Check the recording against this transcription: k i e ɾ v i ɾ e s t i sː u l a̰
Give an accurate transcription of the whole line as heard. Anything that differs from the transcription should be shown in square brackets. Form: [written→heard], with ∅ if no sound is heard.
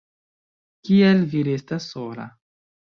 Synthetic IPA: k i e [ɾ→l] v i ɾ e s t [i→a] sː [u→o] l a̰